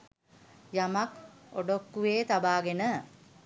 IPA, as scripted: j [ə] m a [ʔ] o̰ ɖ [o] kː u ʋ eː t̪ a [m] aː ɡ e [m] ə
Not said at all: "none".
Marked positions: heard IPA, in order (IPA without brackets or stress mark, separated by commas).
a, k, o, b, n